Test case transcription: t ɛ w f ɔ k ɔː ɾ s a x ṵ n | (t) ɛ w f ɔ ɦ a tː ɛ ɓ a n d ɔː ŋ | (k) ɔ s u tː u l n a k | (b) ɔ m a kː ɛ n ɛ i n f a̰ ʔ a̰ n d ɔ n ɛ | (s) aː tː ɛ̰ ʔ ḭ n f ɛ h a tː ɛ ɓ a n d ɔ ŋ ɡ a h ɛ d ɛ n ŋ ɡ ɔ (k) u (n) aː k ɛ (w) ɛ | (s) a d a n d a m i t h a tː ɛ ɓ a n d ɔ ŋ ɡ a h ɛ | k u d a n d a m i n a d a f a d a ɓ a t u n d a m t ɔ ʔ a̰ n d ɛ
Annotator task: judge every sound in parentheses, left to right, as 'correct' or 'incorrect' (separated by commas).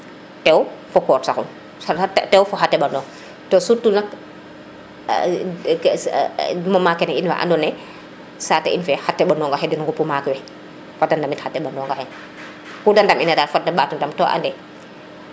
correct, incorrect, incorrect, correct, incorrect, incorrect, correct, incorrect